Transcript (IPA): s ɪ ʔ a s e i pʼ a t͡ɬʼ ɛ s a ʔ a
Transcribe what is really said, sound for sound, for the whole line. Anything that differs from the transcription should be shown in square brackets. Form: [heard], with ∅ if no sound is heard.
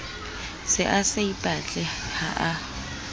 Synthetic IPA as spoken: s ɪ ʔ a s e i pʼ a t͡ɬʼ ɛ [h] a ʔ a